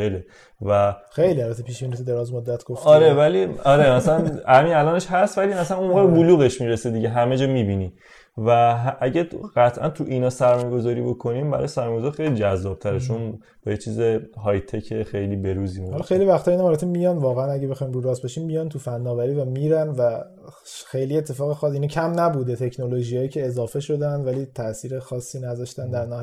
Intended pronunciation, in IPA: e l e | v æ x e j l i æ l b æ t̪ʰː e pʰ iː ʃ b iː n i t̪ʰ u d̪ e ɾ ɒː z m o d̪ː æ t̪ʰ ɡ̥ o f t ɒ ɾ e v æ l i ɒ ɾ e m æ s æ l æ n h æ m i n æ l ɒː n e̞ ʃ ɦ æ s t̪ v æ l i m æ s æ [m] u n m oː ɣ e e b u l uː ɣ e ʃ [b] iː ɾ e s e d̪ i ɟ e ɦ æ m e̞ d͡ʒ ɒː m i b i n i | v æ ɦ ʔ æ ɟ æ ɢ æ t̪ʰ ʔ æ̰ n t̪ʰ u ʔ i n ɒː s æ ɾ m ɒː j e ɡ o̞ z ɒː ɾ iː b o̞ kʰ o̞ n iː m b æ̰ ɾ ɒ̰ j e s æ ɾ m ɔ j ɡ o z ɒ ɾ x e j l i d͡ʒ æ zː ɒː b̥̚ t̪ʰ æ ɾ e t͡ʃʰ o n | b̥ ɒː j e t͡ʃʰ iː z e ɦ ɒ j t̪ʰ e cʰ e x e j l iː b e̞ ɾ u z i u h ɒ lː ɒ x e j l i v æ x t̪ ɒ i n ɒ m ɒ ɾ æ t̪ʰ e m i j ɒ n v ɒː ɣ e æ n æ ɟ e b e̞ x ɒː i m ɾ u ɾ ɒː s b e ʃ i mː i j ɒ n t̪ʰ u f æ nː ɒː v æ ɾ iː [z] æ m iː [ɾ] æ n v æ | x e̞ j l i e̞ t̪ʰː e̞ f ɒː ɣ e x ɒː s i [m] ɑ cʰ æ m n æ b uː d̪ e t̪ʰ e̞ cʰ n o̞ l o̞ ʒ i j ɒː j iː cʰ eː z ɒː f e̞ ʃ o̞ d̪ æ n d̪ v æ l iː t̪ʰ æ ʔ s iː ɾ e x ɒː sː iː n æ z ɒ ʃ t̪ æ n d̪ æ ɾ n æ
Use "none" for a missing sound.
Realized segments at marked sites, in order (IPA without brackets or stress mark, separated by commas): n, m, v, ɾ, n